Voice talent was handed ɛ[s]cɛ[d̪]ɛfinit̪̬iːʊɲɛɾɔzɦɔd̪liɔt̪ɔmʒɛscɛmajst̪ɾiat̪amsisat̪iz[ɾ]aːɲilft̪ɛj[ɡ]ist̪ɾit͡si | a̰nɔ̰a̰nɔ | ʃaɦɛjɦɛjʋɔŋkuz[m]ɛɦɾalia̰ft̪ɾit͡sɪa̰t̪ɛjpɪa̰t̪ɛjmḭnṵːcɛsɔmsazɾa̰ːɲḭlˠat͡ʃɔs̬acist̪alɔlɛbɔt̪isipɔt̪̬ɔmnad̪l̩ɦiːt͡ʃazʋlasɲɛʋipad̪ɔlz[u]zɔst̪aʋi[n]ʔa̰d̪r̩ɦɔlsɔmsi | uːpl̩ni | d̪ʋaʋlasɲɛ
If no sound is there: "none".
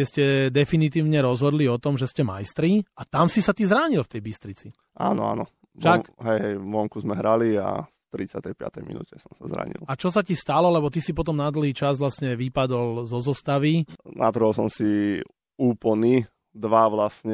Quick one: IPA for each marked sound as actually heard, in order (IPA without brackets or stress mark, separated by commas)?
s, d̪, ɾ, b, m, ɔ, n